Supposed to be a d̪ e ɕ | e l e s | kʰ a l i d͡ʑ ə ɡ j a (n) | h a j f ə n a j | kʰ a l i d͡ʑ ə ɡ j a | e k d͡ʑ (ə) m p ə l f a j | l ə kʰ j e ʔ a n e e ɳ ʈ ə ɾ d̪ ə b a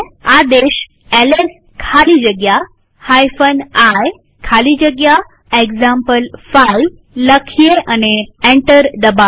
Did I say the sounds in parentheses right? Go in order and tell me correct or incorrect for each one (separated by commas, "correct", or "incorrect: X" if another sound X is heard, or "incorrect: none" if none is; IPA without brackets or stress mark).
incorrect: none, incorrect: a